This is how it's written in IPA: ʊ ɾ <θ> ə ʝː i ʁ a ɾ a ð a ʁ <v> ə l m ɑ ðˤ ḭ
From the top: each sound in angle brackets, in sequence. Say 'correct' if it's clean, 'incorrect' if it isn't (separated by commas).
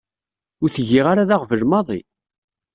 correct, correct